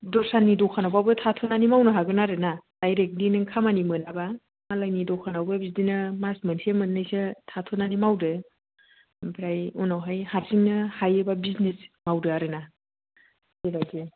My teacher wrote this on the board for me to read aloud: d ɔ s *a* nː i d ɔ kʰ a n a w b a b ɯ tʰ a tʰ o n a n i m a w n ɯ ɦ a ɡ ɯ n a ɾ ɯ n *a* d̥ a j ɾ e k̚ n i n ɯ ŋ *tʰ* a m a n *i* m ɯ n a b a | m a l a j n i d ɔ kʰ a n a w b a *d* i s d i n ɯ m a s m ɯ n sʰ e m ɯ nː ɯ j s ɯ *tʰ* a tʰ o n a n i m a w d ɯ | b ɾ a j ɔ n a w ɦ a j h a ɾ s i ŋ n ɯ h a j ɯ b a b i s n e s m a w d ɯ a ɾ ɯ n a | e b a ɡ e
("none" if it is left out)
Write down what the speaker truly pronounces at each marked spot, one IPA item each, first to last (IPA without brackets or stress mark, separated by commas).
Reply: a, a, kʰ, i, b, tʰ